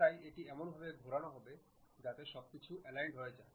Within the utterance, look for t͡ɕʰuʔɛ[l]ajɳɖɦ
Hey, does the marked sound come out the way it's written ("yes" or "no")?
yes